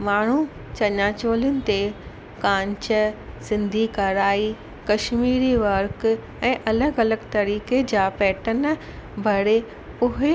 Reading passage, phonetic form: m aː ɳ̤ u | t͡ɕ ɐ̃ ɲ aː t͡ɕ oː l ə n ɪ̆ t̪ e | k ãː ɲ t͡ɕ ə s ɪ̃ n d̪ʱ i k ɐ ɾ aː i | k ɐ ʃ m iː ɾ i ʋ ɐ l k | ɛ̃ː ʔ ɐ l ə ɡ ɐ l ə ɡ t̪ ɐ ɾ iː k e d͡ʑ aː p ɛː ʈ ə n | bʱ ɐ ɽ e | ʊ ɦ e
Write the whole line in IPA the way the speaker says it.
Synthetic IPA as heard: m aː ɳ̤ u | t͡ɕ ɐ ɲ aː t͡ɕ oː l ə n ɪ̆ t̪ e | k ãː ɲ t͡ɕ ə s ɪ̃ n d̪ʱ i k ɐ ɾ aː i | k ɐ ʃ m iː ɾ i ʋ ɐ ɾ k | ɛ̃ː ʔ ɐ l ə ɡ ɐ l ə ɡ t̪ ɐ ɾ iː k e d͡ʑ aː p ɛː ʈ ə n | bʱ ɐ ɽ e | ʊ ɦ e